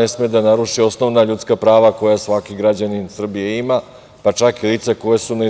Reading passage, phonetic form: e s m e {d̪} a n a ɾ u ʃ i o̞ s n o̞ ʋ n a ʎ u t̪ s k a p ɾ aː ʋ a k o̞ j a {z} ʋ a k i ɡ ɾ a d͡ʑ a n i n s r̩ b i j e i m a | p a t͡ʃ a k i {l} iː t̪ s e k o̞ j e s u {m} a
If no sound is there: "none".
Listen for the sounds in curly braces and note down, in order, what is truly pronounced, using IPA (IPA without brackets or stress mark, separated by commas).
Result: d̪, s, l, n